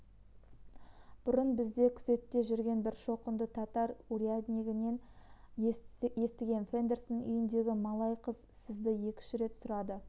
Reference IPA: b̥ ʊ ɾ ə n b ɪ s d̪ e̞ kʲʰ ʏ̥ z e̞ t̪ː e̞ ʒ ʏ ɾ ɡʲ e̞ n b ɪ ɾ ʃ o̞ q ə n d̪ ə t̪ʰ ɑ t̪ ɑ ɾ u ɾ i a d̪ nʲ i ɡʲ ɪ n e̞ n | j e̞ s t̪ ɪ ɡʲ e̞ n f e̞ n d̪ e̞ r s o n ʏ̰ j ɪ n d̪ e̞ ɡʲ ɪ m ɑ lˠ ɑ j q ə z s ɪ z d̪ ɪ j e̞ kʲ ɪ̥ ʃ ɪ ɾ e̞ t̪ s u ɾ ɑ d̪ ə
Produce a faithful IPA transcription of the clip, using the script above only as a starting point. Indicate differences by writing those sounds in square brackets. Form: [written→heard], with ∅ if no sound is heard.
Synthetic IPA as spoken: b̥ ʊ ɾ ə n b ɪ [s→z] d̪ e̞ kʲʰ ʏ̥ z e̞ t̪ː e̞ ʒ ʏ ɾ ɡʲ e̞ n b ɪ ɾ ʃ o̞ q ə n d̪ ə t̪ʰ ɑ t̪ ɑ ɾ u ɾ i a d̪ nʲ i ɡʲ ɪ n e̞ n | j e̞ s t̪ ɪ ɡʲ e̞ n f e̞ n d̪ e̞ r s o n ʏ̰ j ɪ n d̪ e̞ ɡʲ ɪ m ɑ lˠ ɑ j q ə z s ɪ z d̪ ɪ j e̞ kʲ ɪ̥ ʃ ɪ ɾ e̞ t̪ s [u→ʊ] ɾ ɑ d̪ ə